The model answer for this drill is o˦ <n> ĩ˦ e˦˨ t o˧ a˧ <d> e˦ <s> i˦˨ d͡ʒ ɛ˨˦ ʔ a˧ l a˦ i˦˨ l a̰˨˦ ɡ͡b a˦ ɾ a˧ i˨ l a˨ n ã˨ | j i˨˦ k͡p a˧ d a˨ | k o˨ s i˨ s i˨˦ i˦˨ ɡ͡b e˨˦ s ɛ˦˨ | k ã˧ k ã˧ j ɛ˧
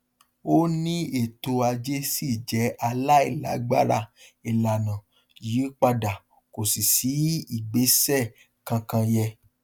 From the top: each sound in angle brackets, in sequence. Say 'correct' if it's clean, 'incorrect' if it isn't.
correct, incorrect, correct

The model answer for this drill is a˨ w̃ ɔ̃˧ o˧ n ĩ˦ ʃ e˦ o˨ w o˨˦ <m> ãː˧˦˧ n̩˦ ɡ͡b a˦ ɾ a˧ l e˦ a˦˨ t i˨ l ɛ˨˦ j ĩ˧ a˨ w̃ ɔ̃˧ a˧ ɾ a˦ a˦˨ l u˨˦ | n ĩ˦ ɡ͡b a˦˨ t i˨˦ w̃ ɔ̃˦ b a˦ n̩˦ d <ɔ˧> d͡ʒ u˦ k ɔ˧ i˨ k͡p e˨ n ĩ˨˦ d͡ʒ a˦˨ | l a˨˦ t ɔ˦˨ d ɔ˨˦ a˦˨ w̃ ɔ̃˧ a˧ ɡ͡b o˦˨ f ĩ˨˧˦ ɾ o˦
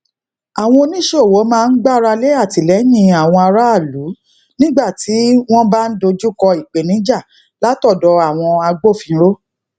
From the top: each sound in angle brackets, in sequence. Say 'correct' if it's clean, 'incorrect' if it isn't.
correct, incorrect

